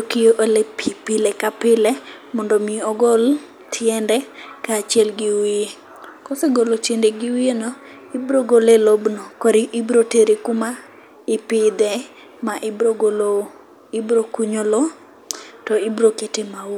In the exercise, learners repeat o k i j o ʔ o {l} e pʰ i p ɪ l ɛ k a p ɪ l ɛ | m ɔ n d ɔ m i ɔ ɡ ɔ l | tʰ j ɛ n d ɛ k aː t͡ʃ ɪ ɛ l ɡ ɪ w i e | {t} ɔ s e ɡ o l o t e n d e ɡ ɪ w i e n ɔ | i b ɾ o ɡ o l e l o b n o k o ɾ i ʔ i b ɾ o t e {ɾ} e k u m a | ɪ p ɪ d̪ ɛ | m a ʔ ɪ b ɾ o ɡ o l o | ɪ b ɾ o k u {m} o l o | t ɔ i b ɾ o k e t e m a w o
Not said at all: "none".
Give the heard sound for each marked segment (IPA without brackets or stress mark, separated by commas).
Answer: l, k, ɾ, ɲ